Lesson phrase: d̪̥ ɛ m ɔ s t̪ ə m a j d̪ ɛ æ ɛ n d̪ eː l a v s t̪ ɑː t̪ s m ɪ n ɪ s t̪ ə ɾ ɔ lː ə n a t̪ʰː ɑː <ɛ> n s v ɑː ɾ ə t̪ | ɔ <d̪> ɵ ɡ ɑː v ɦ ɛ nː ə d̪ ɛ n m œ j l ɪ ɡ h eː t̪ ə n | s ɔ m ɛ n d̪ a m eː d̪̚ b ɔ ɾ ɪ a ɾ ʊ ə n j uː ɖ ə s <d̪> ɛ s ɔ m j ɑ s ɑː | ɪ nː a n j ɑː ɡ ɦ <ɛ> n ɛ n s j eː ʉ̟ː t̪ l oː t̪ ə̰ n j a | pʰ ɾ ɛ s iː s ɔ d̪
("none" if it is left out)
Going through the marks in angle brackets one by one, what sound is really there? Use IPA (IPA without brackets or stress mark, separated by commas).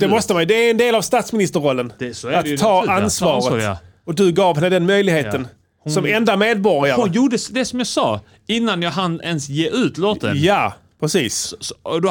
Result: a, d̪, d̪, a